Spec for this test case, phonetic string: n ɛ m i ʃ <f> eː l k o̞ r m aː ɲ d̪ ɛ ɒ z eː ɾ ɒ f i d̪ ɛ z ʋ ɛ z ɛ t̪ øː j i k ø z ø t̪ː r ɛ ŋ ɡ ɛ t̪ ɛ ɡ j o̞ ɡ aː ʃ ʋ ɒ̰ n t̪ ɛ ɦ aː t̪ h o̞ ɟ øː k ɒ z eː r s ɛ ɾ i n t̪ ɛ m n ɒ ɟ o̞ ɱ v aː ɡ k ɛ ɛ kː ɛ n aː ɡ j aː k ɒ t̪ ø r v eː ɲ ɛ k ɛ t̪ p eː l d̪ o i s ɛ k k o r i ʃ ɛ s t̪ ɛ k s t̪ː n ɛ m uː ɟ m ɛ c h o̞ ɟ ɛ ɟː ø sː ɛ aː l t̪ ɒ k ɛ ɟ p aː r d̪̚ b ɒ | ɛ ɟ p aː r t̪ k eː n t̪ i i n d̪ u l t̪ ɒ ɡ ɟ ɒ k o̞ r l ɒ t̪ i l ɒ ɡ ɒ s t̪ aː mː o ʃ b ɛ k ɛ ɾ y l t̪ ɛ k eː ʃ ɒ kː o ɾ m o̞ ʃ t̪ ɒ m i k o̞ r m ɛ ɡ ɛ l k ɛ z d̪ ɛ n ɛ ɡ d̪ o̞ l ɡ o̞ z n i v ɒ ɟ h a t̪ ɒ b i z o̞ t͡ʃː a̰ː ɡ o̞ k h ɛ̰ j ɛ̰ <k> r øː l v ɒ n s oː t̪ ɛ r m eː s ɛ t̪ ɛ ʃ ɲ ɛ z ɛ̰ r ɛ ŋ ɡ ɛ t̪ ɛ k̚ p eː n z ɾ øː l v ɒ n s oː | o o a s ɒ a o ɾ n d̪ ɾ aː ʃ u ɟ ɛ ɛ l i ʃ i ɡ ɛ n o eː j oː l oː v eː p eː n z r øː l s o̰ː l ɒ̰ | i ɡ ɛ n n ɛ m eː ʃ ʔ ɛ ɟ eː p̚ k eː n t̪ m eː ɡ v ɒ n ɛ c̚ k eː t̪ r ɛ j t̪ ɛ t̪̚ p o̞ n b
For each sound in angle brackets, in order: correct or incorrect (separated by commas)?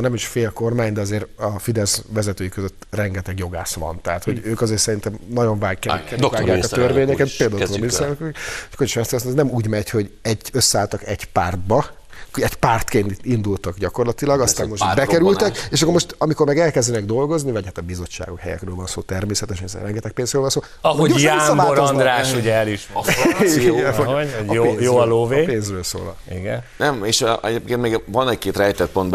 correct, correct